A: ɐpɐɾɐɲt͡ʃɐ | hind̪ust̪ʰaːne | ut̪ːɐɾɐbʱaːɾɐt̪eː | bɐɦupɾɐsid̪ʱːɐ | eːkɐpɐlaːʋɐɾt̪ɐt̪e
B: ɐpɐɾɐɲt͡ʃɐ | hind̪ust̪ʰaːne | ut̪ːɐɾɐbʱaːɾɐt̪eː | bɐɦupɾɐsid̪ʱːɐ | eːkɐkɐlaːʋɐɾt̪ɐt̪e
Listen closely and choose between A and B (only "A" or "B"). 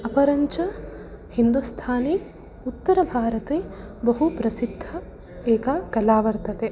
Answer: B